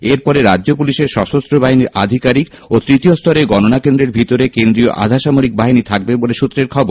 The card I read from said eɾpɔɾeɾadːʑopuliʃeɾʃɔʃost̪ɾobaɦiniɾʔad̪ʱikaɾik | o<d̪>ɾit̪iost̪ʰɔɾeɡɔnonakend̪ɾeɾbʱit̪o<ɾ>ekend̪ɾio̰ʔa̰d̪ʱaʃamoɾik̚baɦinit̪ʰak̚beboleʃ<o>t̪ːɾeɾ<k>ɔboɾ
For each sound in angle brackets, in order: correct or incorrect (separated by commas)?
incorrect, correct, incorrect, incorrect